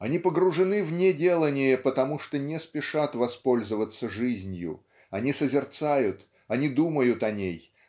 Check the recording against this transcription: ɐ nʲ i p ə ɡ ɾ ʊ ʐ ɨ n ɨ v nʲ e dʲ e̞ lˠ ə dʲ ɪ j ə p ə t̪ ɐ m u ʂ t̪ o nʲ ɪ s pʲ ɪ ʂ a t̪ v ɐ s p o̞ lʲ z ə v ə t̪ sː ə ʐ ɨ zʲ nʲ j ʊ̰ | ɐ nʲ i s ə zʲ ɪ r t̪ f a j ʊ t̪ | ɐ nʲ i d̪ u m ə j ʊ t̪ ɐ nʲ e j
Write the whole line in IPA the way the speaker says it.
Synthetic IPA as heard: ɐ nʲ i p ə ɡ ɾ ʊ ʐ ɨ n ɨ v nʲ e dʲ e̞ lˠ ə nʲ ɪ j ə p ə t̪ ɐ m u ʂ t̪ o nʲ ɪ s pʲ ɪ ʂ a t̪ v ɐ s p o̞ lʲ z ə v ə t̪ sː ə ʐ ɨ zʲ nʲ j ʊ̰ | ɐ nʲ i s ə zʲ ɪ r t̪ s a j ʊ t̪ | ɐ nʲ i d̪ u m ə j ʊ t̪ ɐ nʲ e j